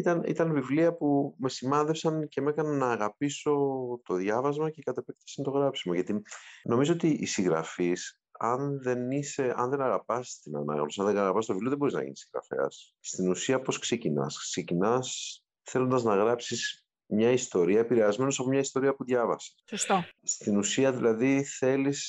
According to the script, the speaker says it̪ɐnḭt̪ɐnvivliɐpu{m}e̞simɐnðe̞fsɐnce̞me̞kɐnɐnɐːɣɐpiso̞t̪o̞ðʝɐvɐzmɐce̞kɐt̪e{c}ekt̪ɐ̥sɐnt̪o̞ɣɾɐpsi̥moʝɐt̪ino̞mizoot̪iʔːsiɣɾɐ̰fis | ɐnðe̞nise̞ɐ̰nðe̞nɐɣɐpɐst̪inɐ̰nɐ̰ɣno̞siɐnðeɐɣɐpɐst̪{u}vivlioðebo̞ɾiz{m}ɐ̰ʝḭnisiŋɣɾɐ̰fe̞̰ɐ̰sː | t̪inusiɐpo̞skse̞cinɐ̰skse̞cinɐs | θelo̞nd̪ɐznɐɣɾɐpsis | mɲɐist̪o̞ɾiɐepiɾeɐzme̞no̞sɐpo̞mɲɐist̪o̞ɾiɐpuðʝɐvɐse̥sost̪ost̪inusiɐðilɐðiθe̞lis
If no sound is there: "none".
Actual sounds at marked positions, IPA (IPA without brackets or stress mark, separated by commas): m, p, o, n